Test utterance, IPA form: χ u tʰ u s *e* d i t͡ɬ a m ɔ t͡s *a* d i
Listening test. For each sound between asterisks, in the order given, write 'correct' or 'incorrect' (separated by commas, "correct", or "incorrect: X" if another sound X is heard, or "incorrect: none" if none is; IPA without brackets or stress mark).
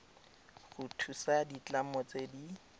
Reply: incorrect: a, incorrect: e